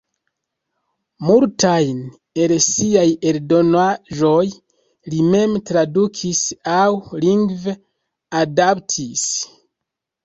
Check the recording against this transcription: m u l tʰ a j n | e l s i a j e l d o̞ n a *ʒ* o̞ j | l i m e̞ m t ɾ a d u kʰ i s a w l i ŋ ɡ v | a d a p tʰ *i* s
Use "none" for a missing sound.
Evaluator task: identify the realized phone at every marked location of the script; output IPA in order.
ʒ, i

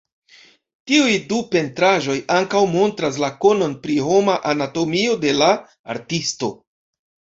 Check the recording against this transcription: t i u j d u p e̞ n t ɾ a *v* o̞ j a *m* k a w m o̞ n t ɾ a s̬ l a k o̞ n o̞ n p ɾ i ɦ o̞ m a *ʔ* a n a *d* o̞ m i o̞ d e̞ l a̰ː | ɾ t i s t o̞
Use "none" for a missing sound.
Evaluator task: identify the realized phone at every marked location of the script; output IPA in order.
ʒ, ŋ, ʔ, t

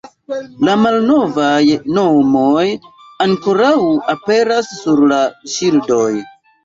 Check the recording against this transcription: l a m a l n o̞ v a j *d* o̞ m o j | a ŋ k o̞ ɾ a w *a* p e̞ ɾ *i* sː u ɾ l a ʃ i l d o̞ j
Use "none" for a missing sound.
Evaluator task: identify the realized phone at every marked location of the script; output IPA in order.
n, a, a

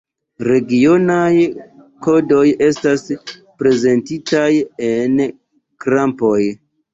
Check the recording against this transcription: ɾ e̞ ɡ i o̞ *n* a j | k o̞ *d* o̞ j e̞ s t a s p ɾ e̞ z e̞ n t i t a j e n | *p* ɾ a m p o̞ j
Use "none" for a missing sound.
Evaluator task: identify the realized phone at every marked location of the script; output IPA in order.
n, d, k

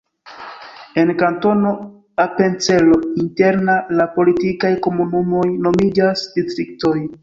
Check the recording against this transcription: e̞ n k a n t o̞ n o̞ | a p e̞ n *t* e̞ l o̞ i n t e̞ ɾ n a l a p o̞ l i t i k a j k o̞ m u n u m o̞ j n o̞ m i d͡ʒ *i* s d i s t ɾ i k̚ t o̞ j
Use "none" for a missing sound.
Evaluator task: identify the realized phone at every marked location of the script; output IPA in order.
t͡s, a

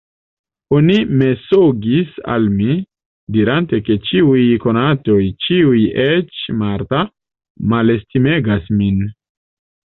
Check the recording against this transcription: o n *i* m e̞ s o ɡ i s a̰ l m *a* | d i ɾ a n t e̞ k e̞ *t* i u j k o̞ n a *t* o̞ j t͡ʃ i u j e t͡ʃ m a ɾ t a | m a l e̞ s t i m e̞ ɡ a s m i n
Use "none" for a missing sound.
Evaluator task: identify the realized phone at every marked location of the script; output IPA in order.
i, i, t͡ʃ, t

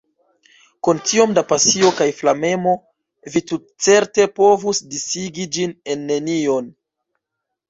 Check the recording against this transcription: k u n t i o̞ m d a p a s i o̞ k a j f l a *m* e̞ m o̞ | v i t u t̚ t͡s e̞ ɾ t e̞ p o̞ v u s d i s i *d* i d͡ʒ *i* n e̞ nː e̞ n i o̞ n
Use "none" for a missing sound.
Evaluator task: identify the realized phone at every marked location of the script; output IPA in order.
m, ɡ, i

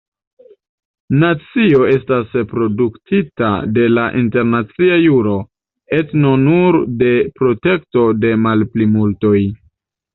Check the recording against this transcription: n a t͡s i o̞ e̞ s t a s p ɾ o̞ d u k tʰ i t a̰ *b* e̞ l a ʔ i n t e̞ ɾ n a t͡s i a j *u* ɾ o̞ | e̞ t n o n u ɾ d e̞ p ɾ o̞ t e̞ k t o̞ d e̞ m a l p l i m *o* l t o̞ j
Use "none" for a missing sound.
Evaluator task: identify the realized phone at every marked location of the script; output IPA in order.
d, u, u

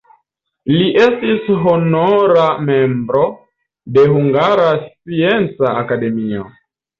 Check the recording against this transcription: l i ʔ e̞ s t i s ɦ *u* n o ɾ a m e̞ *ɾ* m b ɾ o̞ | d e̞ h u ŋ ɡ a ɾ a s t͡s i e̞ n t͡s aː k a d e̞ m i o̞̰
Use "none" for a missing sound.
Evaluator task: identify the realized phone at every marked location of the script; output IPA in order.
o, none

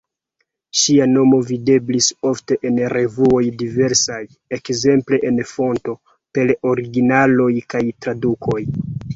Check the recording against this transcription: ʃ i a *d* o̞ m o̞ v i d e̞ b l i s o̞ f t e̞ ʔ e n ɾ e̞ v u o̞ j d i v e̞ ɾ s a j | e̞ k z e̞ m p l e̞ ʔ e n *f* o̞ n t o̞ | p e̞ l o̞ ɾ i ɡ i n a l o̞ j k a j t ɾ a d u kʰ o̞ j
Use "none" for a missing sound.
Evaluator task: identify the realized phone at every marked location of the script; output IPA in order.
n, f

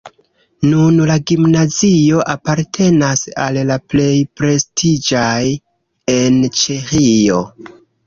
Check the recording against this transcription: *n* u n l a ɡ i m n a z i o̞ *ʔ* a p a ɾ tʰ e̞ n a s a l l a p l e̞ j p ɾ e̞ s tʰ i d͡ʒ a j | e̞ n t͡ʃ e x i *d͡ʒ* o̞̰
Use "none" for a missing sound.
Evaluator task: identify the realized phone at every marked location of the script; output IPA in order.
n, ʔ, none

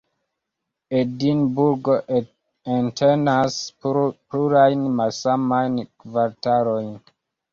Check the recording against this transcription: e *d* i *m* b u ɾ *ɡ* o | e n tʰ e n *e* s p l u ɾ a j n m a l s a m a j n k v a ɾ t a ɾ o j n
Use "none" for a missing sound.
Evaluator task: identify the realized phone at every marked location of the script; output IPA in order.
d, n, ɡ, a

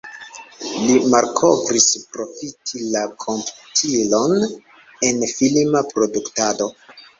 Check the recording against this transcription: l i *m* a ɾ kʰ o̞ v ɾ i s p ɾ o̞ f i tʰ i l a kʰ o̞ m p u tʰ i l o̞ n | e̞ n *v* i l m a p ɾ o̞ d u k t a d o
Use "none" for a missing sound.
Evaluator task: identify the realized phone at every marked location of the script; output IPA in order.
m, f

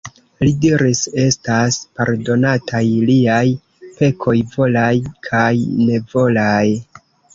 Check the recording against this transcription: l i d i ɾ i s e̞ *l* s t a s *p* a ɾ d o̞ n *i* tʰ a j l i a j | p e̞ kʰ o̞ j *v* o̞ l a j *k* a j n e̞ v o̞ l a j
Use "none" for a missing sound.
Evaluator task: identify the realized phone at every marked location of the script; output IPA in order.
none, p, a, v, kʰ

